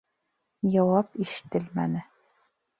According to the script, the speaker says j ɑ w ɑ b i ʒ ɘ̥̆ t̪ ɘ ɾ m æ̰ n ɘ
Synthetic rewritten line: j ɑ w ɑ p i ʃ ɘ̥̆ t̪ ɘ l m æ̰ n ɘ